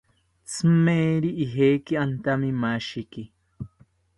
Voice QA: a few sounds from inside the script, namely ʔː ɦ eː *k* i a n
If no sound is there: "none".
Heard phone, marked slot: k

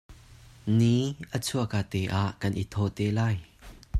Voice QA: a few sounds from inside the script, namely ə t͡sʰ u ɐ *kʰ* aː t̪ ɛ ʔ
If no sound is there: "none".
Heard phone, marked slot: k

